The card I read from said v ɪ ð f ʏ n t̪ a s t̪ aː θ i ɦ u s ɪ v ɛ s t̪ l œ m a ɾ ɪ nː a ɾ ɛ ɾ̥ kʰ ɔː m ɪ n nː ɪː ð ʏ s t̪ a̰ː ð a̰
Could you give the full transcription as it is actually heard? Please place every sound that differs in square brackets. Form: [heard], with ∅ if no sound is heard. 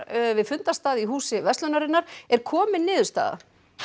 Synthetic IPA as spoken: v ɪ ð f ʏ n t̪ a s t̪ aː [ð] i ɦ [uː] s ɪ v ɛ s t̪ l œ [n] a ɾ ɪ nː a ɾ ɛ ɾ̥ kʰ ɔː m ɪ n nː ɪː ð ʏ s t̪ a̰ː ð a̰